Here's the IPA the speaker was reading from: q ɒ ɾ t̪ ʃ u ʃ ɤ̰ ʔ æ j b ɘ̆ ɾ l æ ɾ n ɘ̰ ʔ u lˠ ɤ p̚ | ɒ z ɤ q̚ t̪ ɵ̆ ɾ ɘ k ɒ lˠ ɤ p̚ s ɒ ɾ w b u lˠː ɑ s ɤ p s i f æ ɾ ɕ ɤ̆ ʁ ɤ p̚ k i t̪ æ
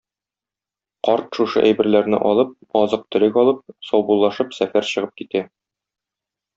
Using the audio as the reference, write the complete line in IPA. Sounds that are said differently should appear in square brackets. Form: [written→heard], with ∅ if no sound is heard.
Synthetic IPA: q ɒ ɾ t̪ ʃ u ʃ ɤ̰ ʔ æ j b ɘ̆ ɾ l æ ɾ n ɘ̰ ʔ [u→ɒ] lˠ ɤ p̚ | ɒ z ɤ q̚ t̪ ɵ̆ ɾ ɘ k ɒ lˠ ɤ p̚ s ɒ [ɾ→∅] w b u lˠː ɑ [s→ʃ] ɤ p s [i→æ] f æ ɾ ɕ ɤ̆ ʁ ɤ p̚ k i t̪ æ